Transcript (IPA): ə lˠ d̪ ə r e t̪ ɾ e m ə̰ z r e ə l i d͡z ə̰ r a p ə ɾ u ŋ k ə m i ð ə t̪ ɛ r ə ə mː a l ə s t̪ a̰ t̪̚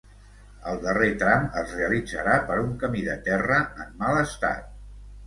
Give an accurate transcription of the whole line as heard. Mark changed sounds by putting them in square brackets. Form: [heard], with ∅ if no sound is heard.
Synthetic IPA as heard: ə lˠ d̪ ə r e t̪ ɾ [a] m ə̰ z r e ə l i d͡z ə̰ [ɾ] a p ə ɾ u ŋ k ə m i ð ə t̪ ɛ r ə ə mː a l ə s t̪ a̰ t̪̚

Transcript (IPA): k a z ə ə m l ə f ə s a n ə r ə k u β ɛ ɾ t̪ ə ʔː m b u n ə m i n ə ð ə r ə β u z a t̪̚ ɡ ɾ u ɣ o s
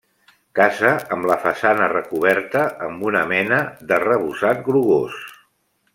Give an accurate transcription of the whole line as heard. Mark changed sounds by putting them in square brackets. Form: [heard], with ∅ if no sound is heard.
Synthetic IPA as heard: k a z ə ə m l ə f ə s a n ə r ə k u β ɛ ɾ t̪ ə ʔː m b u n ə m [ɛ] n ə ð ə r ə β u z a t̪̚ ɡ ɾ u ɣ o s

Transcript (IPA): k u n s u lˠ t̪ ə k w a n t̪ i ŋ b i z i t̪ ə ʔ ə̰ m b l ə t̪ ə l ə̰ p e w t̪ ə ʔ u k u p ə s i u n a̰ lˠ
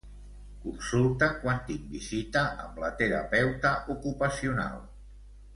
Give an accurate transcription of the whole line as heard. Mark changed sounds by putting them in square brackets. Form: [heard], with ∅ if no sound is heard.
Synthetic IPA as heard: k u n s u lˠ t̪ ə k w a n t̪ i ŋ b i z i t̪ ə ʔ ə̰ m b l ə t̪ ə [ɾ] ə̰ p [ɛ] w t̪ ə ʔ u k u p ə s i u n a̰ lˠ

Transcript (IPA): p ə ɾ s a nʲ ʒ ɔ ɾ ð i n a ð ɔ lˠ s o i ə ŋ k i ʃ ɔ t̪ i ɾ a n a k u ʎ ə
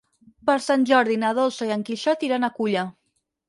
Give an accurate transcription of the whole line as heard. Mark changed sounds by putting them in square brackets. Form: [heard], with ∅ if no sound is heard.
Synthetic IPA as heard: p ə ɾ s a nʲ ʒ ɔ ɾ ð i n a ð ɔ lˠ s o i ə ŋ k i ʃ ɔ t̪ i ɾ a n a k u ʎ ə

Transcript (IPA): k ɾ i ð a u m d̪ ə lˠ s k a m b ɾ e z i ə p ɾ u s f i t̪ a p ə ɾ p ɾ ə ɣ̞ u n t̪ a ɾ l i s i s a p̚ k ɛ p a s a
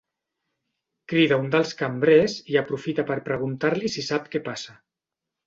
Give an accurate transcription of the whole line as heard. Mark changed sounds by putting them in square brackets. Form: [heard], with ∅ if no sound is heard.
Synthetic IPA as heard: k ɾ i ð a u [n] d̪ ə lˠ s k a m b ɾ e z i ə p ɾ u [∅] f i t̪ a p ə ɾ p ɾ ə ɣ̞ u n t̪ a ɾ l i s i s a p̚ k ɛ p a s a

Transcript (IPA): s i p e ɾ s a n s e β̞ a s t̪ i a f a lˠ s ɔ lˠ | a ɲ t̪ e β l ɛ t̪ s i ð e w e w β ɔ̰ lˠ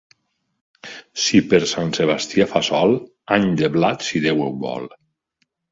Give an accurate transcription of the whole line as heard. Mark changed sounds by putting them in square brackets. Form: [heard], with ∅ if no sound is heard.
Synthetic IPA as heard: s i p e ɾ s a n s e β̞ a s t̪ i a f a [∅] s ɔ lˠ | a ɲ [d̪] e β l [a] t̪ s i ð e w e w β ɔ̰ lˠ

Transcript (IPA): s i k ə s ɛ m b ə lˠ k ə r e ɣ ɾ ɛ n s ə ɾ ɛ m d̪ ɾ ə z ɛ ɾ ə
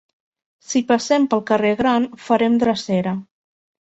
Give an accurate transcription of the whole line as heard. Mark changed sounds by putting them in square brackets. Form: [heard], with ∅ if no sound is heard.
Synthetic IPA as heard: s i [p] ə s ɛ m [p] ə lˠ k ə r e ɣ ɾ [a] n [f] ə ɾ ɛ m d̪ ɾ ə [s] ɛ ɾ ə

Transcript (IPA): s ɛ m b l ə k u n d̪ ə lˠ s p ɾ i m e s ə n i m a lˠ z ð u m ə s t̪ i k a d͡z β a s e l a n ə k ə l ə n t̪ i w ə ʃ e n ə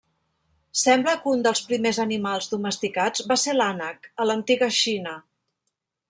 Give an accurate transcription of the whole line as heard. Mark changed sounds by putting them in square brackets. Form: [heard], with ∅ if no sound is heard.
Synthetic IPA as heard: s ɛ m b l ə k u n d̪ ə lˠ s p ɾ i m e [z] ə n i m a lˠ z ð u m ə s t̪ i k a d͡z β a s e l a n ə k ə l ə n t̪ i [ɣ] ə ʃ [i] n ə

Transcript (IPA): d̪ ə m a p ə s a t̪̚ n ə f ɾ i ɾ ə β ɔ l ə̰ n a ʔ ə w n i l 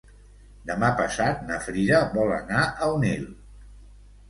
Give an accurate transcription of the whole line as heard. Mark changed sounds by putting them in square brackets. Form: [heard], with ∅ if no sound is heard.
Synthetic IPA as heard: d̪ ə m a p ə s a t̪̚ n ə f ɾ i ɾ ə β ɔ l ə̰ n a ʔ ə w n i l

